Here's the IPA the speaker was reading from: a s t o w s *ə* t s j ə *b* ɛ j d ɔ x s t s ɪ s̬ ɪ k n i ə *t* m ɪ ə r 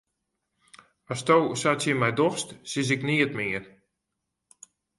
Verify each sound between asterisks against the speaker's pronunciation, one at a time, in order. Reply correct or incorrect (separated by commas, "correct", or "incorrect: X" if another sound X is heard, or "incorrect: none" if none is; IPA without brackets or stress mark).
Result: incorrect: a, incorrect: m, correct